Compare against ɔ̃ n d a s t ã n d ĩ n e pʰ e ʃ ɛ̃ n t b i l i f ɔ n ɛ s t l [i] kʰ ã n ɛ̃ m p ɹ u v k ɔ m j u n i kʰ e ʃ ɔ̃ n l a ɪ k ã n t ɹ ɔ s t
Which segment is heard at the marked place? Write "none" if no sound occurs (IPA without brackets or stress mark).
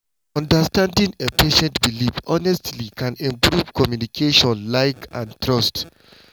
i